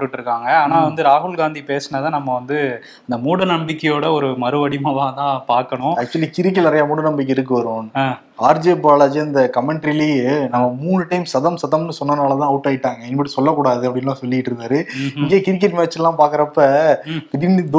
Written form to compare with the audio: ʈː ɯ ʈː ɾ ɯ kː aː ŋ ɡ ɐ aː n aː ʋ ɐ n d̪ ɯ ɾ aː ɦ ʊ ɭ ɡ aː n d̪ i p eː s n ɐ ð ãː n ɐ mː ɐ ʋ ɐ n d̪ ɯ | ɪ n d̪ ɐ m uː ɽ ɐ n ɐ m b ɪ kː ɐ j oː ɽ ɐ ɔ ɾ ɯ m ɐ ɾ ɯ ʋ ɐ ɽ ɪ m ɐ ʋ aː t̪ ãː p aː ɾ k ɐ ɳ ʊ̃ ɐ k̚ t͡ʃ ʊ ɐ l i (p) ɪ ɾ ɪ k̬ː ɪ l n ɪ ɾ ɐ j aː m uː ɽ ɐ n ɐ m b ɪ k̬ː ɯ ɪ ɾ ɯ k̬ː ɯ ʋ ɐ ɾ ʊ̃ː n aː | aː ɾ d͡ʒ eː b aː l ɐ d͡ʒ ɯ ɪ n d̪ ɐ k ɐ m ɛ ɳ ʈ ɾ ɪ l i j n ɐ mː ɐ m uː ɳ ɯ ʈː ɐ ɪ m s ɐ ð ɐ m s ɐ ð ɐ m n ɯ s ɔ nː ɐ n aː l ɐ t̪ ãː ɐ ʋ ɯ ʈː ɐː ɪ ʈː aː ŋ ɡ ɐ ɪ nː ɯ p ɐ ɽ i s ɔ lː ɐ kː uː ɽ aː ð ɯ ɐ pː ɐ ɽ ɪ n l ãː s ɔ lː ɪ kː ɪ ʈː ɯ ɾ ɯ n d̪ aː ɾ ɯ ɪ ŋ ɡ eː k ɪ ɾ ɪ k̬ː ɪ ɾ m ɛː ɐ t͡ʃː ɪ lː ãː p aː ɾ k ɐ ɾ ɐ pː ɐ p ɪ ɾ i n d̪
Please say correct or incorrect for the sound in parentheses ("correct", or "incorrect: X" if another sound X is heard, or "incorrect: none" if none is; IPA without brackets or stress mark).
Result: incorrect: k